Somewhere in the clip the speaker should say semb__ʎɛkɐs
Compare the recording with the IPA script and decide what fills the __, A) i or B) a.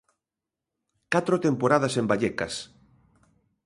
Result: B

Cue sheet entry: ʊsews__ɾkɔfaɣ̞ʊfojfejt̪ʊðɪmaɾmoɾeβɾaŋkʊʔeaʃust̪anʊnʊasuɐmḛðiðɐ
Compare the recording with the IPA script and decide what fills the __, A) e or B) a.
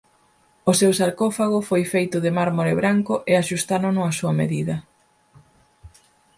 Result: B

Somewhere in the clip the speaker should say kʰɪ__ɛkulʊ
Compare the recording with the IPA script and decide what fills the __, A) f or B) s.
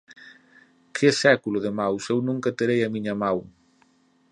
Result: B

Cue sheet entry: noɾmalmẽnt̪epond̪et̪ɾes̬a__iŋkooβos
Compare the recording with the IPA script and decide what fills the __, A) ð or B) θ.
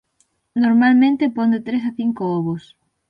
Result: B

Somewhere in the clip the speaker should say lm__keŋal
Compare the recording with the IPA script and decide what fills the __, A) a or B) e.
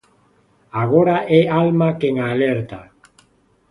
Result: A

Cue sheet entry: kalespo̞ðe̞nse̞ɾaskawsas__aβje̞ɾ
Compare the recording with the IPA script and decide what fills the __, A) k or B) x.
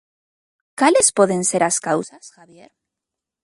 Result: B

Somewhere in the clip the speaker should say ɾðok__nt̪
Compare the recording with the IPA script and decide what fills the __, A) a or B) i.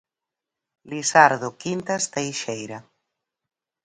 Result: B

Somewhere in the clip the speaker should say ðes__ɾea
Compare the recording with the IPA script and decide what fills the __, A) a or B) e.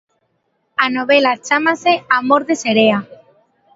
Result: B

